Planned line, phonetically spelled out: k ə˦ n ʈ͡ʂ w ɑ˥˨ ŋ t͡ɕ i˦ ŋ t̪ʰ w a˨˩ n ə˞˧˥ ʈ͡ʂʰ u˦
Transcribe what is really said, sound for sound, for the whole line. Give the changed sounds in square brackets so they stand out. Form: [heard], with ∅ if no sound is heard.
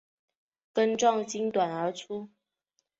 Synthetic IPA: k ə˦ n ʈ͡ʂ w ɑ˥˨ ŋ t͡ɕ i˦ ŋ [t̪] w a˨˩ n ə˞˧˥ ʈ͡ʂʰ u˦